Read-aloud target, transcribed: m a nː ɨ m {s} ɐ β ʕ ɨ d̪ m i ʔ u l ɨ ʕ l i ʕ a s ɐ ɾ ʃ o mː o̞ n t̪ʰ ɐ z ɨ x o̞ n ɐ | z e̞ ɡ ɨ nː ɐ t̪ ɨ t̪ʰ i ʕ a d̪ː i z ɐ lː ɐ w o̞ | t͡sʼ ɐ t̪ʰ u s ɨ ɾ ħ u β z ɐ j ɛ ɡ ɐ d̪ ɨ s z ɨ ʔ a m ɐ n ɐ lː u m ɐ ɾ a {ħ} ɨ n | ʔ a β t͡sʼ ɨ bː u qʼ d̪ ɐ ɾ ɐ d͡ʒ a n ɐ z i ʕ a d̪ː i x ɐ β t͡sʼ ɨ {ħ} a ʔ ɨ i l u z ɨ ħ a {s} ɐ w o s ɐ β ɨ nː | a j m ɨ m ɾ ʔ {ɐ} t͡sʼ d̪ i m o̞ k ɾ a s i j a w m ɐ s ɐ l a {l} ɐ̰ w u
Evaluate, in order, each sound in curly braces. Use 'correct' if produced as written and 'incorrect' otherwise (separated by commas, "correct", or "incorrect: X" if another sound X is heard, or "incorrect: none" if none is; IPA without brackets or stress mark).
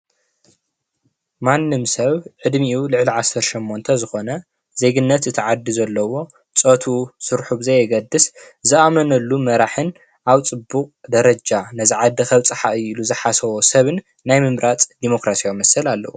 correct, correct, correct, correct, incorrect: a, incorrect: lː